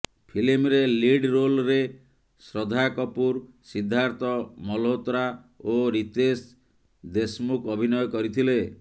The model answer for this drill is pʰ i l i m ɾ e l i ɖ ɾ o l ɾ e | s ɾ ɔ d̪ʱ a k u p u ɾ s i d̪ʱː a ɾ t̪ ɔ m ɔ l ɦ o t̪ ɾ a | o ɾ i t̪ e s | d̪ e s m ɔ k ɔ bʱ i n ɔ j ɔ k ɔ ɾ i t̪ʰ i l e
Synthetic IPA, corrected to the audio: pʰ i l i m ɾ e l i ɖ ɾ o l ɾ e | s ɾ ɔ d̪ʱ a k ɔ p u ɾ s i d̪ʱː a ɾ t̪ ɔ m ɔ l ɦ o t̪ ɾ a | o ɾ i t̪ e s | d̪ e s m u k ɔ bʱ i n ɔ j ɔ k ɔ ɾ i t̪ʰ i l e